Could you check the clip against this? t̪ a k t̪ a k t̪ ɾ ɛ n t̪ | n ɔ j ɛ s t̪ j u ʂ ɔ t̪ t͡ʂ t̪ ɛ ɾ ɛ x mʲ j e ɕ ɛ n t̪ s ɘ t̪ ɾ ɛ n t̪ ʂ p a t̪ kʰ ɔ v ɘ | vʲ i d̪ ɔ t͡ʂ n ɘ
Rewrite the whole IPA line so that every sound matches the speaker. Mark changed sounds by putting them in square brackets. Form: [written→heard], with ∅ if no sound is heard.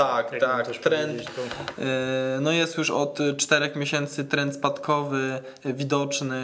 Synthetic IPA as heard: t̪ a k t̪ a k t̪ ɾ ɛ n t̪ | n ɔ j ɛ s t̪ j u ʂ ɔ t̪ t͡ʂ t̪ ɛ ɾ ɛ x mʲ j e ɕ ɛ n t̪ s ɘ t̪ ɾ ɛ n t̪ [ʂ→s] p a t̪ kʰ ɔ v ɘ | vʲ i d̪ ɔ t͡ʂ n ɘ